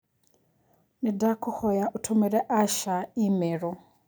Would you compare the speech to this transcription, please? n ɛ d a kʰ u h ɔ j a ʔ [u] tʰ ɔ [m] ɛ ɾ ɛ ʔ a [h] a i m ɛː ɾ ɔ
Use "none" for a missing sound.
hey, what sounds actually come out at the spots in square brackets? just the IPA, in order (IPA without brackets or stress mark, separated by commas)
u, m, ʃ